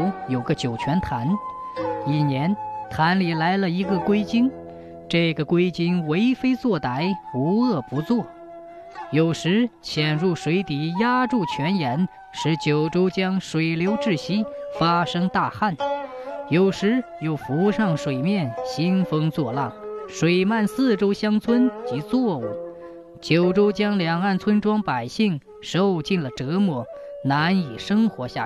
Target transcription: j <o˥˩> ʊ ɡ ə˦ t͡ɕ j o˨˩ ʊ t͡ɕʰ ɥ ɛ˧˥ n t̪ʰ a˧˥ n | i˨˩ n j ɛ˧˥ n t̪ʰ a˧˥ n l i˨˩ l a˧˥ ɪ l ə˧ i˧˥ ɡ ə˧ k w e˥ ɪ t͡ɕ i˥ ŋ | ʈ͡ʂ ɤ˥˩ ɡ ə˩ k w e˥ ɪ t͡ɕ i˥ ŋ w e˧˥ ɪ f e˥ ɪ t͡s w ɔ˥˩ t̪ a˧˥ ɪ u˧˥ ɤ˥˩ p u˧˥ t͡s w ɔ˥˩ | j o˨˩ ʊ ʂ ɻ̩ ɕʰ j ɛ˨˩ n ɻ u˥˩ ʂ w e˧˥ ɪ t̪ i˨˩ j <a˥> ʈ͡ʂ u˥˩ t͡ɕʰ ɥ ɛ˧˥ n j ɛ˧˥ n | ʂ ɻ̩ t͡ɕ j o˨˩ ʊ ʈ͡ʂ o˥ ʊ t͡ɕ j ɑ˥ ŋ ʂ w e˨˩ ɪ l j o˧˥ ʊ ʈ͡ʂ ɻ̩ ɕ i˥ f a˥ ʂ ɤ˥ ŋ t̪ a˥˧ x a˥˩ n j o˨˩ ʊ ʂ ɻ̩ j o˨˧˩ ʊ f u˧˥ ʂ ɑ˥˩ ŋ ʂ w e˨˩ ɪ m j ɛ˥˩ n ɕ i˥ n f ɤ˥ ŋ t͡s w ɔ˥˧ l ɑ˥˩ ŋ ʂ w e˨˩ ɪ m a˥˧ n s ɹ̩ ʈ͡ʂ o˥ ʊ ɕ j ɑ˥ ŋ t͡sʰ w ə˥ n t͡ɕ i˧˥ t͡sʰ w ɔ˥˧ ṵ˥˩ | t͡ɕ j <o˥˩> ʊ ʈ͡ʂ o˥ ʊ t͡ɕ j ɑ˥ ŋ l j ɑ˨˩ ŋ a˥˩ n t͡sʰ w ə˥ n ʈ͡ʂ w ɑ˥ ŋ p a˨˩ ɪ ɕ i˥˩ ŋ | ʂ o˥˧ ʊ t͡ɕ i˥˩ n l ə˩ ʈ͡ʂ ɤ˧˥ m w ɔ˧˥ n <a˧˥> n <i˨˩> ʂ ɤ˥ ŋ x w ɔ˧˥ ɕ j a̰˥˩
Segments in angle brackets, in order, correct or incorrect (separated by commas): incorrect, correct, incorrect, correct, correct